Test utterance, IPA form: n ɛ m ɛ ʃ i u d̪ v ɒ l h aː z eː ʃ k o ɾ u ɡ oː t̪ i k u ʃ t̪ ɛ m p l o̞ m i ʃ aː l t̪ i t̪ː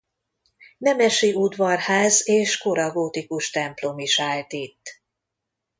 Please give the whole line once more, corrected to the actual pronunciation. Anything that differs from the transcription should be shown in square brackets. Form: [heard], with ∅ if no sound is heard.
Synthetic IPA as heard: n ɛ m ɛ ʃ i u d̪ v ɒ [r] h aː z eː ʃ k o ɾ [ɒ] ɡ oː t̪ i k u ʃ t̪ ɛ m p l o̞ m i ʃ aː l t̪ i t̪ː